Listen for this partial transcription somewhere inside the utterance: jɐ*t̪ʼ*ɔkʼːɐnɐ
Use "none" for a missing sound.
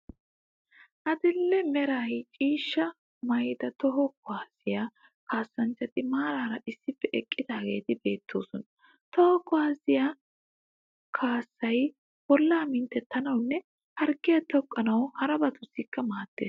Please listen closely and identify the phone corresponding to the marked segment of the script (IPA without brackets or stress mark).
t̪